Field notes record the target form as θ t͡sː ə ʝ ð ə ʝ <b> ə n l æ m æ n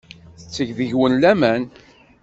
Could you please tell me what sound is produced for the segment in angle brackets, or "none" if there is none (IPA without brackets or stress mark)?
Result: w